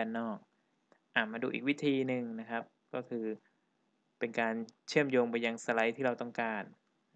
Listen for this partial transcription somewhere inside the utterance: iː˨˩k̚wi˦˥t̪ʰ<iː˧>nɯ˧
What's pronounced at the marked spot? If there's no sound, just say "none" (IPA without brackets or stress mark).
iː˧